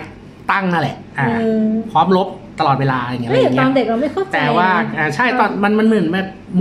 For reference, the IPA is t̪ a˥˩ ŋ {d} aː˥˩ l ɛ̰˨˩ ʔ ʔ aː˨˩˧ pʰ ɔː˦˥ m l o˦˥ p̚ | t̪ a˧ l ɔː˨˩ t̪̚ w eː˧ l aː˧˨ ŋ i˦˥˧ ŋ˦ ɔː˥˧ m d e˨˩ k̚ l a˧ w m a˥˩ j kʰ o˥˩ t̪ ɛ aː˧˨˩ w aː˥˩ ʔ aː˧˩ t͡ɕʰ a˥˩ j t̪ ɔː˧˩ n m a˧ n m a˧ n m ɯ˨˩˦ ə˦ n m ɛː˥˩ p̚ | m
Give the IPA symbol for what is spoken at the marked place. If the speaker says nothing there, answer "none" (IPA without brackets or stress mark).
n